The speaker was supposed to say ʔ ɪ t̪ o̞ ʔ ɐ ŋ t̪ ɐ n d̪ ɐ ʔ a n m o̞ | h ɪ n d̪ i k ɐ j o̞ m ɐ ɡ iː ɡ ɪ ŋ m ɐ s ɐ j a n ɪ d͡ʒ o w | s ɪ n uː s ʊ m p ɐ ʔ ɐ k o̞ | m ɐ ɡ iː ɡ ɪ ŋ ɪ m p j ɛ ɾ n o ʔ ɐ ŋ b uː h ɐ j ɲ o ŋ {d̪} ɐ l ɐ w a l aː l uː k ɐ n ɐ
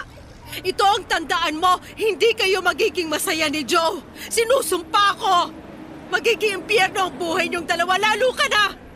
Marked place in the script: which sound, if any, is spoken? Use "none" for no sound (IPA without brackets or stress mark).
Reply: d̪